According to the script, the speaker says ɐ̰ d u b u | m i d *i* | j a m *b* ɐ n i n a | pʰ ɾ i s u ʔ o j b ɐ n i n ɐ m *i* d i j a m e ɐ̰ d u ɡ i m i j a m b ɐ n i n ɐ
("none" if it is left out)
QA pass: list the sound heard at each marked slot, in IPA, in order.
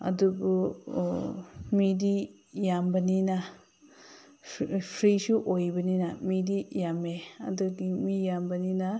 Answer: i, b, i

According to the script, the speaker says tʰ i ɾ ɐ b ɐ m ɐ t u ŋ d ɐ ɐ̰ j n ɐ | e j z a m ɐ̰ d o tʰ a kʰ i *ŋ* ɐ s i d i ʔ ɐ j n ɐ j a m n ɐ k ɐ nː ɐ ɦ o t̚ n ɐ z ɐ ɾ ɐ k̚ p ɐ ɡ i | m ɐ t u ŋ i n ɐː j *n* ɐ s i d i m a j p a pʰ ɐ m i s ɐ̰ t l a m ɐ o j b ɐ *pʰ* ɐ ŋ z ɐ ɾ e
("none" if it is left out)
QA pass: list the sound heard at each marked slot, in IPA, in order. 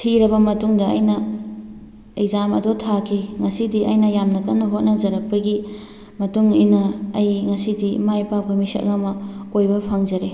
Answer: ŋ, ŋ, pʰ

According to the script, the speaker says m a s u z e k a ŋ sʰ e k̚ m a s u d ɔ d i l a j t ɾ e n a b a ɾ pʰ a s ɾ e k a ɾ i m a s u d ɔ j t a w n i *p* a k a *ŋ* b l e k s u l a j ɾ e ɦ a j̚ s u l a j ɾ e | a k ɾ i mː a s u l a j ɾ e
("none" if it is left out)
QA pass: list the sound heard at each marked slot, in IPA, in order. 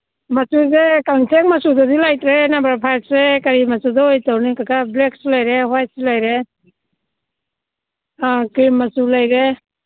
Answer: k, none

